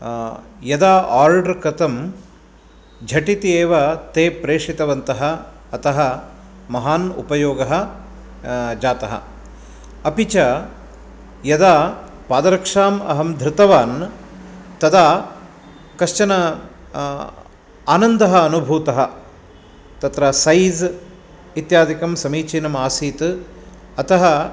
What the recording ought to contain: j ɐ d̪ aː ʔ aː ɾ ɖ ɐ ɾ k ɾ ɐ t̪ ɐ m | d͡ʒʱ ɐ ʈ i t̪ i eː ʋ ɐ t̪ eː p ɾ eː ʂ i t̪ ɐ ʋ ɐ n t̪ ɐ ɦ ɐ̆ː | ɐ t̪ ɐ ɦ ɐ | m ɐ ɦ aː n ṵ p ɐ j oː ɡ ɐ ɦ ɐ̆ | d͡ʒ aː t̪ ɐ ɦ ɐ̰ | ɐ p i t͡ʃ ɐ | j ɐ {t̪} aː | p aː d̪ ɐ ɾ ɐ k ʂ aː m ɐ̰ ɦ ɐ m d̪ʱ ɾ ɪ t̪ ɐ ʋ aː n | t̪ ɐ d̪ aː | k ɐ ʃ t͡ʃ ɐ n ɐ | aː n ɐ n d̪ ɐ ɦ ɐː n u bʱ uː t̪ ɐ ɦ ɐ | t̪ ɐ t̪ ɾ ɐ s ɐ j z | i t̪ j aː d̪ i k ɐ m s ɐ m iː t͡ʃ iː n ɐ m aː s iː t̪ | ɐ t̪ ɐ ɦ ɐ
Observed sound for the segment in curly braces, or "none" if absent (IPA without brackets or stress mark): d̪